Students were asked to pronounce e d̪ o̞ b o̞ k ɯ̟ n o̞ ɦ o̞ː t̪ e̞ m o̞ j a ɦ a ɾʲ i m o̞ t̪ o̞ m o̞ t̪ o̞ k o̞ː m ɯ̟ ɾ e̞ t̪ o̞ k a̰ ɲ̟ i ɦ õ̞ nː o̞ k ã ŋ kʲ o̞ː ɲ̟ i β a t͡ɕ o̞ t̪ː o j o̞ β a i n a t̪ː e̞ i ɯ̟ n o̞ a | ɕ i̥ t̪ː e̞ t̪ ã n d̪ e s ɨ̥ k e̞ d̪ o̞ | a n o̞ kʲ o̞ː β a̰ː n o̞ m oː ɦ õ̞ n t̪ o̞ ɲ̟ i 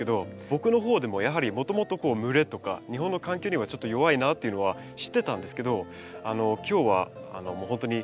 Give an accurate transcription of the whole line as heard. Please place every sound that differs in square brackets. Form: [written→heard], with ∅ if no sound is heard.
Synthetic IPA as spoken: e d̪ o̞ b o̞ k ɯ̟ n o̞ ɦ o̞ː [t̪→d̪] e̞ m o̞ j a ɦ a ɾʲ i m o̞ t̪ o̞ m o̞ t̪ o̞ k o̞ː m ɯ̟ ɾ e̞ t̪ o̞ k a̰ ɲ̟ i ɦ õ̞ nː o̞ k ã ŋ kʲ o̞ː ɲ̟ i β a t͡ɕ o̞ t̪ː o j o̞ β a i n a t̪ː e̞ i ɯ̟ n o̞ a | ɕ i̥ t̪ː e̞ t̪ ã n d̪ e s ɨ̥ k e̞ d̪ o̞ | a n o̞ kʲ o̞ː β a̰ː n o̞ m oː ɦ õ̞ n t̪ o̞ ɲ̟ i